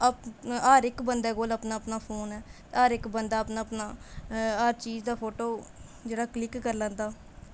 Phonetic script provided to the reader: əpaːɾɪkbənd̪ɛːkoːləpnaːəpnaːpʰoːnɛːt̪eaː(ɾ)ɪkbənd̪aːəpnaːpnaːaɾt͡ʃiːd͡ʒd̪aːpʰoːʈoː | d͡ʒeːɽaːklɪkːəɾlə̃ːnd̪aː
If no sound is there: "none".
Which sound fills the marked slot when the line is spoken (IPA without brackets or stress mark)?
ɾ